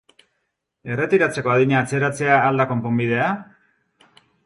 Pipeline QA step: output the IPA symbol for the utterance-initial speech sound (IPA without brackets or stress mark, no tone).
e̞